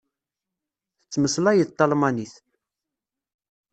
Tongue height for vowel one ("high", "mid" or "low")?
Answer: mid